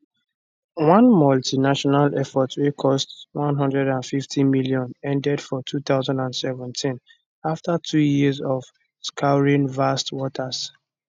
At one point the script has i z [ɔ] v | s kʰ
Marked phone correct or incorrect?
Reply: correct